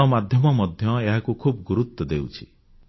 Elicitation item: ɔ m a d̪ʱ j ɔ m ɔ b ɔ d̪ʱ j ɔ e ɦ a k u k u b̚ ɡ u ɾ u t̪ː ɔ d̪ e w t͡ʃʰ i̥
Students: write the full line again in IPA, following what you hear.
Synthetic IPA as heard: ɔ m a d̪ʱ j ɔ m ɔ m ɔ d̪ʱ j ɔ e ɦ a k u kʰ u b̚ ɡ u ɾ u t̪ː ɔ d̪ e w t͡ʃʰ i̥